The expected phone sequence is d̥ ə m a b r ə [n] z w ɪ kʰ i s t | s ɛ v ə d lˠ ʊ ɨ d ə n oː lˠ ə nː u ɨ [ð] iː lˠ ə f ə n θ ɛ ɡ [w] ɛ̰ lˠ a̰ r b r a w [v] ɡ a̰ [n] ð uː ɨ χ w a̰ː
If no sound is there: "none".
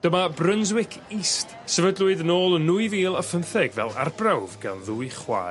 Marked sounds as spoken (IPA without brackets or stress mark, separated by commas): n, v, v, v, n